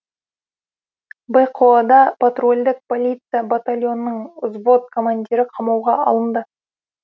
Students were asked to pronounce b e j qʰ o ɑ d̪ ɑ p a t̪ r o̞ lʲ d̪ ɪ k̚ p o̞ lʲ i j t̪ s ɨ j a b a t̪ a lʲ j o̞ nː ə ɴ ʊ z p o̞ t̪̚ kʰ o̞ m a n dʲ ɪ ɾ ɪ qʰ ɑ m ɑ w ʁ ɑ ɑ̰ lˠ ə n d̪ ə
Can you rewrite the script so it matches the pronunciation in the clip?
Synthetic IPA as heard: b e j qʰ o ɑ d̪ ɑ p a t̪ r o̞ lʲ d̪ ɪ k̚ p o̞ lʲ i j t̪ s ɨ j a b a t̪ a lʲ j o̞ nː ə ɴ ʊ z b o̞ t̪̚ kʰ o̞ m a n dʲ i ɾ ɪ qʰ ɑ m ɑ w ʁ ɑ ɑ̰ lˠ ə n d̪ ə